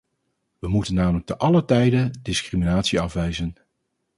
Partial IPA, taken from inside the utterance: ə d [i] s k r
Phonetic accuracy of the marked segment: incorrect: ɪ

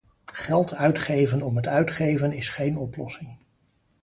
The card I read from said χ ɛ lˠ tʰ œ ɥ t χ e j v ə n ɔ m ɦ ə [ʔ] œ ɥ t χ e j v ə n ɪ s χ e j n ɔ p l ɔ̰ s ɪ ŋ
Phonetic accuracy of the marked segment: incorrect: t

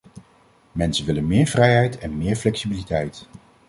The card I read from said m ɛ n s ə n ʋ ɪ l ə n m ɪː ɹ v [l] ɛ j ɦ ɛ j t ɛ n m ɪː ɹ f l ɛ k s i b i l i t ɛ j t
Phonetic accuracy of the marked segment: incorrect: r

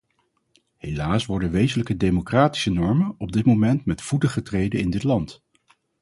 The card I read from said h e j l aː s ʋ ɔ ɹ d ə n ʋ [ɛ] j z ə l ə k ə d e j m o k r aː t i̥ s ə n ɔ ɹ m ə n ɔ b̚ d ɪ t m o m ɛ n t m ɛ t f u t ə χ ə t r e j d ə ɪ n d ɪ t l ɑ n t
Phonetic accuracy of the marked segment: incorrect: e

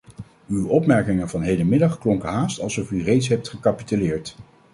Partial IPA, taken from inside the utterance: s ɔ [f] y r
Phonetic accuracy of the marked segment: correct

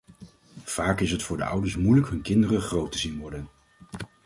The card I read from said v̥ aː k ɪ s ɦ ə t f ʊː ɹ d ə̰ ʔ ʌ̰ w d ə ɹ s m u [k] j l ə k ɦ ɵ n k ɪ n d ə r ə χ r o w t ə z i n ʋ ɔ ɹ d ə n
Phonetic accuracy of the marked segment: incorrect: none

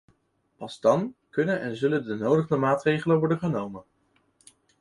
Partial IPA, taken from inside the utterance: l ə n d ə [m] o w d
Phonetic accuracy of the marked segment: incorrect: n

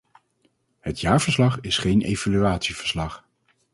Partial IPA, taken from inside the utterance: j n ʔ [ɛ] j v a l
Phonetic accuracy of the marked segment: incorrect: e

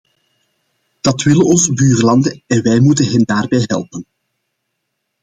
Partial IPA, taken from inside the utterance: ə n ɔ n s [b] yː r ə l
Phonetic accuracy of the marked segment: correct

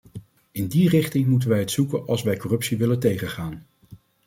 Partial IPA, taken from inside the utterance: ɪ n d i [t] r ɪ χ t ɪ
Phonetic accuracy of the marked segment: incorrect: none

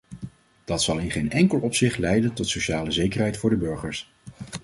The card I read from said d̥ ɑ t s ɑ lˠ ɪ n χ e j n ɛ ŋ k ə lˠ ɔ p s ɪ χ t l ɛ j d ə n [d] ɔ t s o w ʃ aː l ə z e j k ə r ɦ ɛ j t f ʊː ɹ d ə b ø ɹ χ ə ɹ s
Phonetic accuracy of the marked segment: incorrect: t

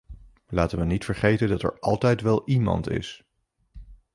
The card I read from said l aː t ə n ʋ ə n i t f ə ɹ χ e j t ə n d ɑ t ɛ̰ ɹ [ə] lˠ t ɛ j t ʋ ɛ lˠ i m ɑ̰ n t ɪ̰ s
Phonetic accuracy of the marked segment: incorrect: ɑ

